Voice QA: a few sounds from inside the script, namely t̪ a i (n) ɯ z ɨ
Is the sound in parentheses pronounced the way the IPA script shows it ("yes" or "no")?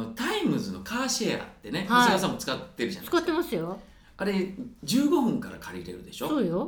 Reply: no